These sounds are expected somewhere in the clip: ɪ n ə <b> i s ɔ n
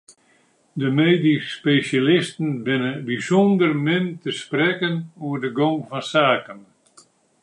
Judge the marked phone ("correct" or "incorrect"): correct